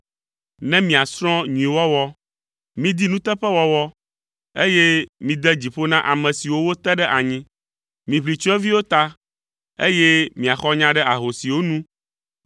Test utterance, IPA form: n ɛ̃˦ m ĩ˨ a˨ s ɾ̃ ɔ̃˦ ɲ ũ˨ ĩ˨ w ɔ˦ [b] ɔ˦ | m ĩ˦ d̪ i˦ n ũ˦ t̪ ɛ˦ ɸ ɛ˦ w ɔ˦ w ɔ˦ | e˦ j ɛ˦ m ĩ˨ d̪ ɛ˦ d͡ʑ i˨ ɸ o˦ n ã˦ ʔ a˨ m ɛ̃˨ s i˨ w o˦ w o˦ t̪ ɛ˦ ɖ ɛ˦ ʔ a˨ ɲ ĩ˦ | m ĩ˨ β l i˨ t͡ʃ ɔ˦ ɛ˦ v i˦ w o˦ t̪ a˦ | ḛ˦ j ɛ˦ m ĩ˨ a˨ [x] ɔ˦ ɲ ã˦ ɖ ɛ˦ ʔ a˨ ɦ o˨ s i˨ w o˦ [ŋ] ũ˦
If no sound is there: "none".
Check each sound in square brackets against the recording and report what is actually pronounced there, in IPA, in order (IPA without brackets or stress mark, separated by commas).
w, x, n